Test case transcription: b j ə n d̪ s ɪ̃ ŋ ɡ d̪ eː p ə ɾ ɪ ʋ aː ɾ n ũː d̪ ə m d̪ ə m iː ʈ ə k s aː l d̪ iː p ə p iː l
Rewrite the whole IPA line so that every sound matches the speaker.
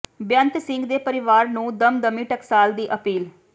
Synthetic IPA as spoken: b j ə n t̪ s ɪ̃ ŋ ɡ d̪ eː p ə ɾ ɪ ʋ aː ɾ n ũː d̪ ə m d̪ ə m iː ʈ ə k s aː l d̪ iː ʔ ə p iː l